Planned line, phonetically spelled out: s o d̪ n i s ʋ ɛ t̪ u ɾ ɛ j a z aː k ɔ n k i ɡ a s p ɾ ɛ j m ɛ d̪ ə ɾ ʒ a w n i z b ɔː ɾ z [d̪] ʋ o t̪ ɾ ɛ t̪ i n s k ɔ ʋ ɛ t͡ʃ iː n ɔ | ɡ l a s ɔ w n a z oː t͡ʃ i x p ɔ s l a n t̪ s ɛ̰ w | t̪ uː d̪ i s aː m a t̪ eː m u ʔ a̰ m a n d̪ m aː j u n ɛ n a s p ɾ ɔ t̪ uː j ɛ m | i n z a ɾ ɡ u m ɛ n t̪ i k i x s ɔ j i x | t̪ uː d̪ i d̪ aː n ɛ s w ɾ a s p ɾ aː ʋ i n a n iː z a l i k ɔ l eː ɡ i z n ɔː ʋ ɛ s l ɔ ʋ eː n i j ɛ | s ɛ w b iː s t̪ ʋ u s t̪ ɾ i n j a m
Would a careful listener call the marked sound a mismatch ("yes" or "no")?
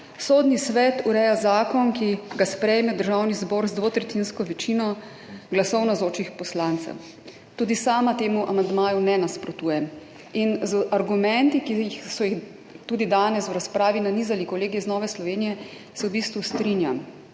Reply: no